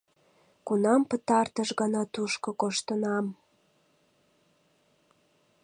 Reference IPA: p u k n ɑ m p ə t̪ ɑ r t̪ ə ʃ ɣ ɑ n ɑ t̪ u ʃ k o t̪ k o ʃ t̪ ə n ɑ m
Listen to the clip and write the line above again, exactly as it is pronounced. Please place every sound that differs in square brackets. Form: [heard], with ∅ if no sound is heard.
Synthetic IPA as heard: [k] u [∅] n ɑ m p ə t̪ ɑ r t̪ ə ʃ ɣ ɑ n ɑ t̪ u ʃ k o [∅] k o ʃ t̪ ə n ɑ m